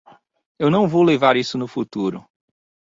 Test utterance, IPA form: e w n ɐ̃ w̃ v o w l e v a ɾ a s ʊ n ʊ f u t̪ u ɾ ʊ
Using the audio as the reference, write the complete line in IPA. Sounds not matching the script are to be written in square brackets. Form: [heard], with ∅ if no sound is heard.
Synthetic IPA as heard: e w n ɐ̃ w̃ v o w l e v a ɾ [i] s ʊ n ʊ f u t̪ u ɾ ʊ